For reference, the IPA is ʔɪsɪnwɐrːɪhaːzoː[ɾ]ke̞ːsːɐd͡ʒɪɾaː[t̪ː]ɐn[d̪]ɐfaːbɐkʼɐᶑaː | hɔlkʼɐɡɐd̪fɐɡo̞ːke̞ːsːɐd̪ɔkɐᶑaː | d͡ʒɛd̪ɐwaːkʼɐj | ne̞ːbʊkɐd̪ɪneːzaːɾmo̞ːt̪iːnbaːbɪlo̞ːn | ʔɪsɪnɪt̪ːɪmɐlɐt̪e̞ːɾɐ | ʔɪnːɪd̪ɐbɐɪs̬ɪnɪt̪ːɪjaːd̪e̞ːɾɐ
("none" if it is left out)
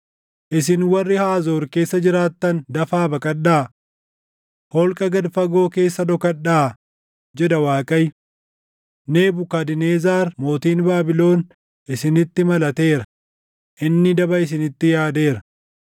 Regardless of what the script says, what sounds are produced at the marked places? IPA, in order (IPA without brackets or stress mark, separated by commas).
ɾ, t̪ː, d̪